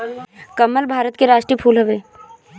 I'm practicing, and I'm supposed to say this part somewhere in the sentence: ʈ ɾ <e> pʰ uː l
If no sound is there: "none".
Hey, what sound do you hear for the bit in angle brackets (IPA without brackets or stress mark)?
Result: i